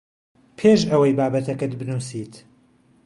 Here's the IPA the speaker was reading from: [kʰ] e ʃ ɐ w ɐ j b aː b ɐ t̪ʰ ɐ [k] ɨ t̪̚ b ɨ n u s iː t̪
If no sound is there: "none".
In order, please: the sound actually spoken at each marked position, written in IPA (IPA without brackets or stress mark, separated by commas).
pʰ, k